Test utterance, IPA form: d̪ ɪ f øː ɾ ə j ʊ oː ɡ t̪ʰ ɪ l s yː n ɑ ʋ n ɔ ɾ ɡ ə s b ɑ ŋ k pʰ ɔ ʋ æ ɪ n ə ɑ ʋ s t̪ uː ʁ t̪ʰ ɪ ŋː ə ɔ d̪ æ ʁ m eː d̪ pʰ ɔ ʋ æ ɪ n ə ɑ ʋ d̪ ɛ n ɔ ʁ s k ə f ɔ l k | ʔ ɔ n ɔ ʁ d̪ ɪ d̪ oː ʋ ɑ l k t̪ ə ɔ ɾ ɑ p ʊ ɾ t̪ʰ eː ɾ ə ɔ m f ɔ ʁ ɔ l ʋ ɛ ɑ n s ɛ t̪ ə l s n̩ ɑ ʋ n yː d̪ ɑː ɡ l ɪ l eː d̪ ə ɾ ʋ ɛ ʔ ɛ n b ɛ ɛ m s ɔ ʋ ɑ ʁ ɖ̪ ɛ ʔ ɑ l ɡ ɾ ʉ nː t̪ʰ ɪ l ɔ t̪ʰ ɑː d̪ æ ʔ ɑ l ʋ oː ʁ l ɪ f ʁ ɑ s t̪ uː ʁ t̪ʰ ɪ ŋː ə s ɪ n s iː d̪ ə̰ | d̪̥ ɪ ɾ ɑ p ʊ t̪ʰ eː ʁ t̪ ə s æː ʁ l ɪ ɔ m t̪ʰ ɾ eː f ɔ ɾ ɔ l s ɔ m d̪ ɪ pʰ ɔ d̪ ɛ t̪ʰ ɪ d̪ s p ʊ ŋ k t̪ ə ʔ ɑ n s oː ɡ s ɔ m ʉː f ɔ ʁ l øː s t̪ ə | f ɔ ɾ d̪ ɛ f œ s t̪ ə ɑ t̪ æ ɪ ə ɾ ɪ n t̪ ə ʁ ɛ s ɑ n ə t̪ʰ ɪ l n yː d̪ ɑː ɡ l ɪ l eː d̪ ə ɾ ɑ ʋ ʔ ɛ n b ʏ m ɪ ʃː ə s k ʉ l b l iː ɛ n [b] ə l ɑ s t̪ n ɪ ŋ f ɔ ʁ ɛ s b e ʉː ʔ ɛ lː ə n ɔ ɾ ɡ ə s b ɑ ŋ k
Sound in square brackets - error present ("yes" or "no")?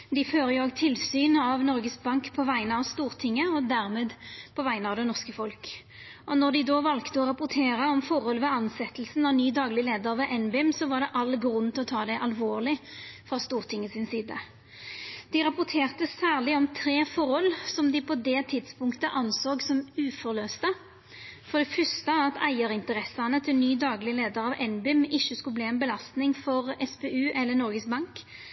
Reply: no